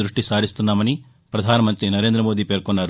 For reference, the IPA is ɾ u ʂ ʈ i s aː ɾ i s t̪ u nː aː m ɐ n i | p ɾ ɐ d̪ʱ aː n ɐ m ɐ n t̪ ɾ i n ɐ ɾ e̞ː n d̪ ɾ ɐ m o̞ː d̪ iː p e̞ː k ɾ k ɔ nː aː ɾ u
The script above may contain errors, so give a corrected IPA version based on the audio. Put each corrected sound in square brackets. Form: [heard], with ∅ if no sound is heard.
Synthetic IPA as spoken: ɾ u ʂ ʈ i s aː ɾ i s t̪ u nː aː m ɐ n i | p ɾ ɐ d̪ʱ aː n ɐ m ɐ n t̪ ɾ i n ɐ ɾ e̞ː n d̪ ɾ ɐ m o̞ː d̪ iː p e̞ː [∅] ɾ k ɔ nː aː ɾ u